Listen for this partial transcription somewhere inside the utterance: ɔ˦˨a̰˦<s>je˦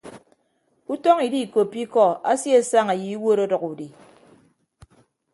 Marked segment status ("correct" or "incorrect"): correct